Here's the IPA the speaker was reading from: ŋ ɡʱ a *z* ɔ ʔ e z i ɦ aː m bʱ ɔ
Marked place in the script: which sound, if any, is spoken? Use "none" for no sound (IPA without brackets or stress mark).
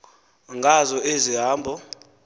z